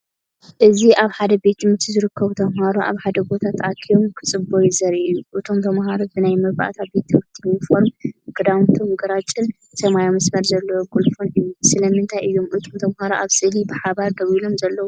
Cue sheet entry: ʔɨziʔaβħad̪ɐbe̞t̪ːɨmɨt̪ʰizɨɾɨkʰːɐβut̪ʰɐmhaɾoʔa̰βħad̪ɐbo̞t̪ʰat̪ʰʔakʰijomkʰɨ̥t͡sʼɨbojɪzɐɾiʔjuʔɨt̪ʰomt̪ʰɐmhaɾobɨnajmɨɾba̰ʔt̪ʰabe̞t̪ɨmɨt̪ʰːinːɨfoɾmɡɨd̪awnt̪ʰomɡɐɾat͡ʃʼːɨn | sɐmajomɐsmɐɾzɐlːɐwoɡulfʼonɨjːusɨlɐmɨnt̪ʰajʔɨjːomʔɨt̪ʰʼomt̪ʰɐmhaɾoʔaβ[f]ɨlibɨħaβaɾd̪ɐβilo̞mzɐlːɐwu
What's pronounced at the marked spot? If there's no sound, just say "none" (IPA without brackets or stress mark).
s